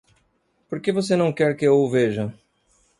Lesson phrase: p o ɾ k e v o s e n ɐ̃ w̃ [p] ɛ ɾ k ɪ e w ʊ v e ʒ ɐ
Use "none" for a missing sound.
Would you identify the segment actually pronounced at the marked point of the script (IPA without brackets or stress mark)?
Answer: k